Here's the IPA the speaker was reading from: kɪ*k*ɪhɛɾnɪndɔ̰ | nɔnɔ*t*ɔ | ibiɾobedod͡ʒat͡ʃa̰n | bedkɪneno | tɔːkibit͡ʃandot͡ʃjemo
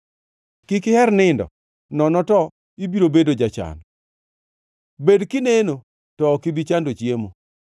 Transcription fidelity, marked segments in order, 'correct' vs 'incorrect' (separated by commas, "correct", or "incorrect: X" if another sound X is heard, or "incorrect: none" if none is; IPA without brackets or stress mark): correct, correct